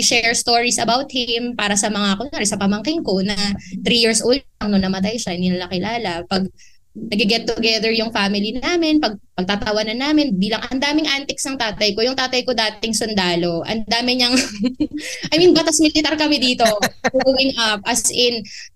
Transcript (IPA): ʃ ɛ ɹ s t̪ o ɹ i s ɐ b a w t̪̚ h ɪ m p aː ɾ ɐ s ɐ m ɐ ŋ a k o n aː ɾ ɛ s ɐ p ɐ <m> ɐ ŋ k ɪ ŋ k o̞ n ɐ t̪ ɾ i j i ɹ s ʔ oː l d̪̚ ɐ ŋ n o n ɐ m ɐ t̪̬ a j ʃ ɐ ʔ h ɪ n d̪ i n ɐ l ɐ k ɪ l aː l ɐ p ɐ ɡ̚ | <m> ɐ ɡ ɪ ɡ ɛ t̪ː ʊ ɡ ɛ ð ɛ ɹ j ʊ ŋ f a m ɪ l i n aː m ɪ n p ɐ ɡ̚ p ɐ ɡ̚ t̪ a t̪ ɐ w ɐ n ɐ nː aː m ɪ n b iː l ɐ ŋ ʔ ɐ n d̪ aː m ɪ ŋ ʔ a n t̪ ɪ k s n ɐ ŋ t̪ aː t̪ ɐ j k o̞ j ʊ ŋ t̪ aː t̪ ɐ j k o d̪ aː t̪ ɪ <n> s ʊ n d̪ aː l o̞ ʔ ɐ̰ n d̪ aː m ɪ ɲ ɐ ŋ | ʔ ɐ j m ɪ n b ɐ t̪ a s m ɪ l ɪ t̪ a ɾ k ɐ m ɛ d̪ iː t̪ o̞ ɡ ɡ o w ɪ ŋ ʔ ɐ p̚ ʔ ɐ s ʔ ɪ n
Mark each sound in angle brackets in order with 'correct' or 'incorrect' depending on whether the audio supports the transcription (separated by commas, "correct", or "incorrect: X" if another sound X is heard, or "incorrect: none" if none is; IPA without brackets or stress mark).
correct, incorrect: n, incorrect: ŋ